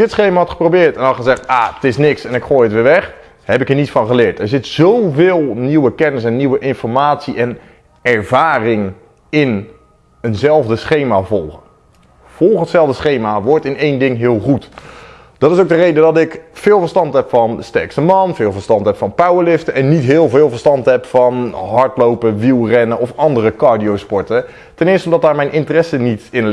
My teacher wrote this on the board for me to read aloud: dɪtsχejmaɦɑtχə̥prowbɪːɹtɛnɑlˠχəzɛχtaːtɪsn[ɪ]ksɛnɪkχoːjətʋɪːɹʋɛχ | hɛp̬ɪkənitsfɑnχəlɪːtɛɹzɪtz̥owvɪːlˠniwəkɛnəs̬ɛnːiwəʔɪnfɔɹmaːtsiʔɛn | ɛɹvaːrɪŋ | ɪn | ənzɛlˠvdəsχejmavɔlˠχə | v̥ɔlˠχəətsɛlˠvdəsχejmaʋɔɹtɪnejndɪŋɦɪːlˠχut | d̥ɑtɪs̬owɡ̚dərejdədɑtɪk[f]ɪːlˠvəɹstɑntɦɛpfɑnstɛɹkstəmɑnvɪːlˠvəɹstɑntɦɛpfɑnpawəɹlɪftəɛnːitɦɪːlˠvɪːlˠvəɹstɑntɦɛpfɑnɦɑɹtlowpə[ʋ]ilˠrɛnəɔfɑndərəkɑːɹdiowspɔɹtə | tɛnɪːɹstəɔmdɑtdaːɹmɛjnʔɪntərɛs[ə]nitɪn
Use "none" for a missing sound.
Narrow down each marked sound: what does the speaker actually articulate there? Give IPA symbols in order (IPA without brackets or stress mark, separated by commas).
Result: ɪ, f, ʋ, ə